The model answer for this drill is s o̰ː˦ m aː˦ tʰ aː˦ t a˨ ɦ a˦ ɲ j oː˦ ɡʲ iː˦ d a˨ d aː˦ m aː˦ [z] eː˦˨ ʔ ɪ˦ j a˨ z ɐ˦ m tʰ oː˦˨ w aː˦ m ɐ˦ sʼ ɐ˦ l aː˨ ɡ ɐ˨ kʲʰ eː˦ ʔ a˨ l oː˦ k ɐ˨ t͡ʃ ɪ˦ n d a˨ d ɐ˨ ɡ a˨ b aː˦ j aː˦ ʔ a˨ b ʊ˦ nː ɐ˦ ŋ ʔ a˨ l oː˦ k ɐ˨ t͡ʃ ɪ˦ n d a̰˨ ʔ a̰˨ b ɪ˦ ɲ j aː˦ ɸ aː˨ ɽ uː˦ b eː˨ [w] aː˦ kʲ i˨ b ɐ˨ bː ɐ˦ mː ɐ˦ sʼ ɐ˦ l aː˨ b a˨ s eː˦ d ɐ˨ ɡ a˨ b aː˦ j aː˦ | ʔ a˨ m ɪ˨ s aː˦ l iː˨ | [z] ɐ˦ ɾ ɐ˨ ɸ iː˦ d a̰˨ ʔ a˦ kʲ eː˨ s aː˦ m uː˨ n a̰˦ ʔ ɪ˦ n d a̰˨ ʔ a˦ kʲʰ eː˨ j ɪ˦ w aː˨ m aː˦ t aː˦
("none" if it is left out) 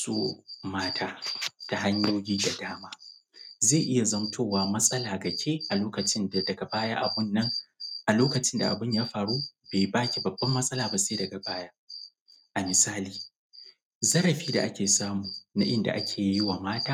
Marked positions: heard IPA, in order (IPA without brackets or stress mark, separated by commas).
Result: z, b, z